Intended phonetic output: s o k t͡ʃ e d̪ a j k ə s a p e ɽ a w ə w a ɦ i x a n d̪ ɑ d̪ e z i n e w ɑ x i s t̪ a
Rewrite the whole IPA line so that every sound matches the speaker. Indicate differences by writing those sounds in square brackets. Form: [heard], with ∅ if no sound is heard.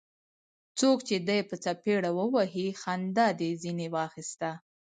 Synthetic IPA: [t͡s] o k t͡ʃ e d̪ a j [p] ə [t͡s] a p e ɽ a w ə w a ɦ i x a n d̪ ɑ d̪ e z i n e w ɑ x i s t̪ a